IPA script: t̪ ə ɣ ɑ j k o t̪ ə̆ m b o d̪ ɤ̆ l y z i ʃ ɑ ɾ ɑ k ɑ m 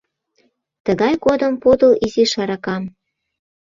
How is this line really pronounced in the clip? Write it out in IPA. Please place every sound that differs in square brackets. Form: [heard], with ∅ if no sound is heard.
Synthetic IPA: t̪ ə ɣ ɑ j k o [d̪] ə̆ m [p] o d̪ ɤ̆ l [i] z i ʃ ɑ ɾ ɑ k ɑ m